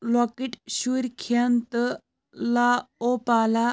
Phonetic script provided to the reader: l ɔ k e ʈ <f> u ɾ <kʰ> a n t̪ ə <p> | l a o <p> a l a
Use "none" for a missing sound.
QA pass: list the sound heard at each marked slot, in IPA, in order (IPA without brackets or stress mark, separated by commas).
ɕ, kʰ, none, p